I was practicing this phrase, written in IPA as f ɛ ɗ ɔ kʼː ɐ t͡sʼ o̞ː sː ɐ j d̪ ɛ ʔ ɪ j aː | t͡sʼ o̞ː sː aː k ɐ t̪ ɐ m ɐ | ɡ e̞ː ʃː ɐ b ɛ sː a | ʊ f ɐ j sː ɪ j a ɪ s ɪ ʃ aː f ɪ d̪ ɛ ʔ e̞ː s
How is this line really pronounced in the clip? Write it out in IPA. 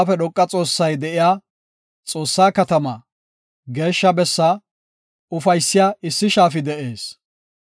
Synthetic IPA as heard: f ɛ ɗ ɔ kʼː ɐ t͡sʼ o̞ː sː ɐ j d̪ ɛ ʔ ɪ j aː | t͡sʼ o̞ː sː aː k ɐ t̪ ɐ m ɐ | ɡ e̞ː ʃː ɐ b ɛ sː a | ʊ f ɐ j sː ɪ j a ɪ sː ɪ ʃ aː f ɪ d̪ ɛ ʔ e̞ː s

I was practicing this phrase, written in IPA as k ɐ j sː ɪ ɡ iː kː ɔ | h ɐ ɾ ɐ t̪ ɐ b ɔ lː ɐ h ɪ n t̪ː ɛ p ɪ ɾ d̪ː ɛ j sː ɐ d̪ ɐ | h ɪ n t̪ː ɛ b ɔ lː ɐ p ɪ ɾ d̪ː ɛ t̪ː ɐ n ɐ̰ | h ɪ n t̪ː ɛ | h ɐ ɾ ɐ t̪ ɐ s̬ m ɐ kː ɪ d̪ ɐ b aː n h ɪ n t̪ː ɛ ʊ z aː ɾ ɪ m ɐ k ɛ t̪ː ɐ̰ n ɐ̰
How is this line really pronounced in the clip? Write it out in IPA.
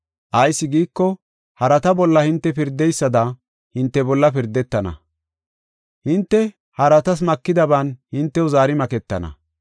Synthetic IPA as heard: ʔ ɐ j sː ɪ ɡ iː kː ɔ | h ɐ ɾ ɐ t̪ ɐ b ɔ lː ɐ h ɪ n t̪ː ɛ p ɪ ɾ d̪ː ɛ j sː ɐ d̪ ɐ | h ɪ n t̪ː ɛ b ɔ lː ɐ p ɪ ɾ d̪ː ɛ t̪ː ɐ n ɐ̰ | h ɪ n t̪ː ɛ | h ɐ ɾ ɐ t̪ ɐ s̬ m ɐ kː ɪ d̪ ɐ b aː n h ɪ n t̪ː ɛ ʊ z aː ɾ ɪ m ɐ k ɛ t̪ː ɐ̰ n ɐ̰

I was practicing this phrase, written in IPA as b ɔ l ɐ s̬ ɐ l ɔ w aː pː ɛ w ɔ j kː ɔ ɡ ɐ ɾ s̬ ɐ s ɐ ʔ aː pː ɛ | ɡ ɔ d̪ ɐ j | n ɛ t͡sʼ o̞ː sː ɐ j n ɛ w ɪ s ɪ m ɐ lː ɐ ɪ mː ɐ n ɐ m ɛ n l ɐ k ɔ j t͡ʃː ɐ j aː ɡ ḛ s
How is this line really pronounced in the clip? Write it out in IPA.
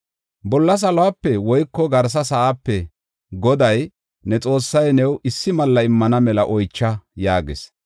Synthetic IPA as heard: b ɔ lː ɐ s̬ ɐ l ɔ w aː pː ɛ w ɔ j kː ɔ ɡ ɐ ɾ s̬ ɐ s ɐ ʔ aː pː ɛ | ɡ ɔ d̪ ɐ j | n ɛ t͡sʼ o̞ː sː ɐ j n ɛ w ɪ sː ɪ m ɐ lː ɐ ɪ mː ɐ n ɐ m ɛ l ɐ ʔ ɔ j t͡ʃː ɐ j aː ɡ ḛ s

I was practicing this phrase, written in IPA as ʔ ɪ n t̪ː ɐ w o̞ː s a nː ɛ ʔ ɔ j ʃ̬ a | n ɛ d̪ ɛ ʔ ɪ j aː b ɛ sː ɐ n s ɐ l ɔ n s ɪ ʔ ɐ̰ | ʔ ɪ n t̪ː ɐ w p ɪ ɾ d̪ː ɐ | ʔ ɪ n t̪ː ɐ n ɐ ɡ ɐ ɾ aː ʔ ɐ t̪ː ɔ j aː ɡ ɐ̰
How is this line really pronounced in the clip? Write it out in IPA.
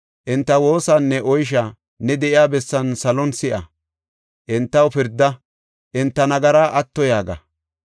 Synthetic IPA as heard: ʔ ɪ n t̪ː ɐ w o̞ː s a nː ɛ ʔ ɔ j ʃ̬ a | n ɛ d̪ ɛ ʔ ɪ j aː b ɛ sː ɐ n s ɐ l ɔ n s ɪ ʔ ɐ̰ | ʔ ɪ n t̪ː ɐ w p ɪ ɾ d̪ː ɐ | ʔ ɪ n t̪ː ɐ n ɐ ɡ ɐ ɾ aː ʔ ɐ t̪ː ɔ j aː ɡ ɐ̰

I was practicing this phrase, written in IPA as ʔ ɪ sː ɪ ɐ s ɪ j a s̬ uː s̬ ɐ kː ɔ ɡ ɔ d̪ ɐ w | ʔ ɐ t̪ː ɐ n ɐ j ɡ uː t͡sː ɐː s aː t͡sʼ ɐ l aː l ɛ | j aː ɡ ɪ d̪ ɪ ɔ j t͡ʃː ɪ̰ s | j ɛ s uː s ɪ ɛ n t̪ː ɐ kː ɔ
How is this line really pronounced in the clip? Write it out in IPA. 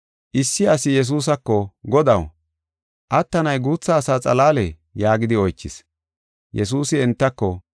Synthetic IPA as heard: ʔ ɪ sː ɪ ɐ s ɪ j ɛ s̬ uː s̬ ɐ kː ɔ ɡ ɔ d̪ ɐ w | ʔ ɐ t̪ː ɐ n ɐ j ɡ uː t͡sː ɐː s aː t͡sʼ ɐ l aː l ɛ | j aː ɡ ɪ d̪ ɪ ɔ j t͡ʃː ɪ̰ s | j ɛ s uː s ɪ ɛ n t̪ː ɐ kː ɔ

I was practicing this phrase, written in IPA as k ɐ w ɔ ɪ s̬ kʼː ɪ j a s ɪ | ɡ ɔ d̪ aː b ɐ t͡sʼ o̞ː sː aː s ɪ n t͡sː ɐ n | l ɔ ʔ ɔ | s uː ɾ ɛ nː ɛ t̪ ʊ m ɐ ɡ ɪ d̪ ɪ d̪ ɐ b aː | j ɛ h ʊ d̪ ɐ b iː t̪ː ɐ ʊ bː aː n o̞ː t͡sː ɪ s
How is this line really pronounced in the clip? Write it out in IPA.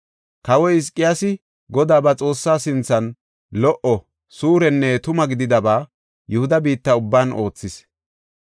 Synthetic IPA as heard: k ɐ w ɔ ɪ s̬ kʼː ɪ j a s ɪ | ɡ ɔ d̪ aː b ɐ t͡sʼ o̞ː sː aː s ɪ n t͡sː ɐ n | l ɔ ʔ ɔ | s uː ɾ ɛ nː ɛ t̪ ʊ m ɐ ɡ ɪ d̪ ɪ d̪ ɐ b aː | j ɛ h ʊ d̪ ɐ b iː t̪ː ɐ ʊ bː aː n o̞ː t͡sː ɪ s

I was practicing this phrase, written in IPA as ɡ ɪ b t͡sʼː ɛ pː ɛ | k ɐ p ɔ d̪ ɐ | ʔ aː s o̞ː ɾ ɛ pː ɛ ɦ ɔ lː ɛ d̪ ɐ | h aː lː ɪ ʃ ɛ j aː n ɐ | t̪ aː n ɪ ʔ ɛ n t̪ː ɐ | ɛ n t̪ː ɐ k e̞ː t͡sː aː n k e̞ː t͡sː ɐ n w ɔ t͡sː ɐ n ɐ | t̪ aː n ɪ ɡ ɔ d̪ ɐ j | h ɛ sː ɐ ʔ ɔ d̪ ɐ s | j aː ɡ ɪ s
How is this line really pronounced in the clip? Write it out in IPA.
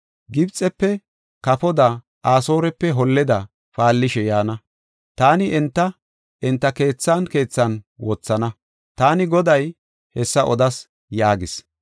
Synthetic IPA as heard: ɡ ɪ b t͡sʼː ɛ pː ɛ | k ɐ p ɔ d̪ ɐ | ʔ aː s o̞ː ɾ ɛ pː ɛ ɦ ɔ lː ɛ d̪ ɐ | f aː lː ɪ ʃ ɛ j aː n ɐ | t̪ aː n ɪ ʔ ɛ n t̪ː ɐ | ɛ n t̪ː ɐ k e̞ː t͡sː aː n k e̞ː t͡sː ɐ n w ɔ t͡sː ɐ n ɐ | t̪ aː n ɪ ɡ ɔ d̪ ɐ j | h ɛ sː ɐ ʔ ɔ d̪ ɐ s | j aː ɡ ɪ s

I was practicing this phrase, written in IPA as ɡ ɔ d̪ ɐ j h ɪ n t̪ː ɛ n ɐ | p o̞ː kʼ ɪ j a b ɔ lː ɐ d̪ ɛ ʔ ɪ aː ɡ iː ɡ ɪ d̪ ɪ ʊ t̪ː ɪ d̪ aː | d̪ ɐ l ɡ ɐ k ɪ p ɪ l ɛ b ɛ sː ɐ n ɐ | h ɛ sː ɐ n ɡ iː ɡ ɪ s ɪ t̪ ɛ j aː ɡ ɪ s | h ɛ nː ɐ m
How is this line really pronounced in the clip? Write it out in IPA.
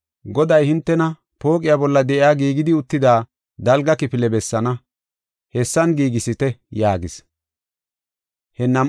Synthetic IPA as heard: ɡ ɔ d̪ ɐ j h ɪ n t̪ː ɛ n ɐ | p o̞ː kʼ ɪ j a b ɔ lː ɐ d̪ ɛ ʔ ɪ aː ɡ iː ɡ ɪ d̪ ɪ ʊ t̪ː ɪ d̪ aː | d̪ ɐ l ɡ ɐ k ɪ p ɪ l ɛ b ɛ sː ɐ n ɐ | h ɛ sː ɐ n ɡ iː ɡ ɪ s ɪ t̪ ɛ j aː ɡ ɪ s | h ɛ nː ɐ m

